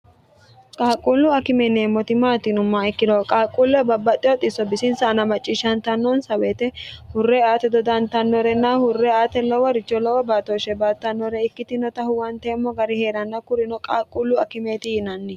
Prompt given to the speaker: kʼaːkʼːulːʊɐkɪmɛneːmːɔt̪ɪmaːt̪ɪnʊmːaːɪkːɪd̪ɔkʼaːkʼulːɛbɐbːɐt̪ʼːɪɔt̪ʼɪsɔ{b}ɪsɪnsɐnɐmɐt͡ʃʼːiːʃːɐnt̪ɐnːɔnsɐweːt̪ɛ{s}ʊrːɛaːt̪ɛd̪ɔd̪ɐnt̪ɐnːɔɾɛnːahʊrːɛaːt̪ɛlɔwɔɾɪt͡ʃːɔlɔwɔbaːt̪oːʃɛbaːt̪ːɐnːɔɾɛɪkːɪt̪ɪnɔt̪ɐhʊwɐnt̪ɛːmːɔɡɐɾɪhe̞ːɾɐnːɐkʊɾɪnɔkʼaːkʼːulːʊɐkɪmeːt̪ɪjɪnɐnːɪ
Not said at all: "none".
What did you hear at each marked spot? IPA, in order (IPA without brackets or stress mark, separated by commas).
b, h